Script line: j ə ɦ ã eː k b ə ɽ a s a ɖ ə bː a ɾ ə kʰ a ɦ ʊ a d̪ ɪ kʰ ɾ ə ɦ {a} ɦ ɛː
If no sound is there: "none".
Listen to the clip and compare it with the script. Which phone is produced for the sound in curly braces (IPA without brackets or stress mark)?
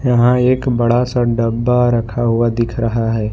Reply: a